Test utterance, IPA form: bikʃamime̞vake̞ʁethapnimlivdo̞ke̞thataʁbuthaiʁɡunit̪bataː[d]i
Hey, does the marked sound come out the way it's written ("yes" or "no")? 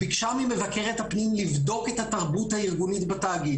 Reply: no